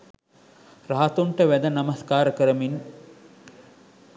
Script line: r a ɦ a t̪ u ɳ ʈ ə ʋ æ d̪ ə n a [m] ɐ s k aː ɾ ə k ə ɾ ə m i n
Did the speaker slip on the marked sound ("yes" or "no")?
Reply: no